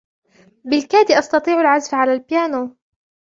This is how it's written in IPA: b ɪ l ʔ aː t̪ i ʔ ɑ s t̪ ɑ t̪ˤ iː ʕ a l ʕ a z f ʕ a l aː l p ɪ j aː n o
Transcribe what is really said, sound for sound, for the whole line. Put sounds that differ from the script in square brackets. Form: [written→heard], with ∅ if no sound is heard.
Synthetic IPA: b ɪ l [ʔ→k] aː [t̪→d̪] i ʔ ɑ s t̪ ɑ t̪ˤ iː ʕ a l ʕ a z f ʕ a l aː l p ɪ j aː n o